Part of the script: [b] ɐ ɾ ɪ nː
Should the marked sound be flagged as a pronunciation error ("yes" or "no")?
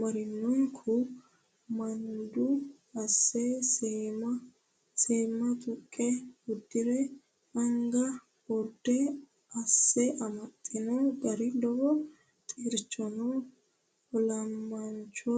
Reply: yes